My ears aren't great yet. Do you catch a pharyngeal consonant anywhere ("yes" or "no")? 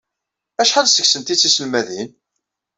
yes